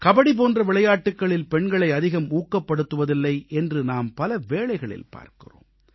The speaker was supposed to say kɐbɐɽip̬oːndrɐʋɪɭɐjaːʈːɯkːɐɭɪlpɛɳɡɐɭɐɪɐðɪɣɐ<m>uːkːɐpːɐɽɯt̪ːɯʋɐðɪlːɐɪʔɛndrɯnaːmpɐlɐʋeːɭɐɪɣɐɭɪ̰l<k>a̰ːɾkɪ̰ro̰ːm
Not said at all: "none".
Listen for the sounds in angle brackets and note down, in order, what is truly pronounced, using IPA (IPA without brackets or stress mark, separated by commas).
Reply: m, p